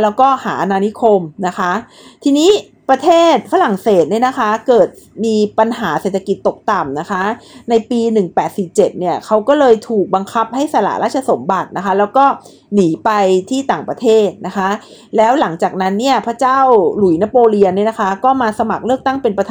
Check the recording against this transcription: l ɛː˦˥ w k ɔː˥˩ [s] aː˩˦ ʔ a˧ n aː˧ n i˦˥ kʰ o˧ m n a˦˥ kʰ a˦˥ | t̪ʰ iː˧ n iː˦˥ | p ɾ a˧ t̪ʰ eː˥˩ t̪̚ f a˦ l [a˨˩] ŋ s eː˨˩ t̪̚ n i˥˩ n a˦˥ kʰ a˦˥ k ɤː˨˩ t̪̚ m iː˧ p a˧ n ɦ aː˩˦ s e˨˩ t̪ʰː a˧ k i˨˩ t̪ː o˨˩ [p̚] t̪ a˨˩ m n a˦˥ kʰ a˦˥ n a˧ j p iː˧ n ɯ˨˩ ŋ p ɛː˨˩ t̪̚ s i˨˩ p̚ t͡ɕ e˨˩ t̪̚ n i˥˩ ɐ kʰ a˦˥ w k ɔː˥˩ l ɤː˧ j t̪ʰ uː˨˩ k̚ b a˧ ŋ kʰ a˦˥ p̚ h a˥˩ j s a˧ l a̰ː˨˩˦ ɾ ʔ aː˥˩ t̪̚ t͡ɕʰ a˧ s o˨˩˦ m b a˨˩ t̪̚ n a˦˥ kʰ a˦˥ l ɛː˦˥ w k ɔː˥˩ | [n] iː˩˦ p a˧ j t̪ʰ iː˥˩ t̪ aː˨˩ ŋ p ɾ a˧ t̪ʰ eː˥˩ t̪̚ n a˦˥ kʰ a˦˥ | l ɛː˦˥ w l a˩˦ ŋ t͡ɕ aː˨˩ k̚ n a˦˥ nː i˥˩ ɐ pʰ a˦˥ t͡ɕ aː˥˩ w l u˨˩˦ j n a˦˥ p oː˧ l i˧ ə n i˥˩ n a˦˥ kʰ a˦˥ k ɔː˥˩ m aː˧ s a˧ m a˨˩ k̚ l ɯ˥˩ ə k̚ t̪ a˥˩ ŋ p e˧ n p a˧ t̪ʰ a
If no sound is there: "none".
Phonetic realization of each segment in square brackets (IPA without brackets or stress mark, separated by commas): h, a˨˩, k̚, n